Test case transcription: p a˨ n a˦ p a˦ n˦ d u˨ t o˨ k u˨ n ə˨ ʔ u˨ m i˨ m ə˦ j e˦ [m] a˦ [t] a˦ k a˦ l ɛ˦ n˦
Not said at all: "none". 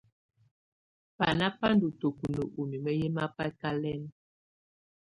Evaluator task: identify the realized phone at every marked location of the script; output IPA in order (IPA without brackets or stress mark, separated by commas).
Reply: m, p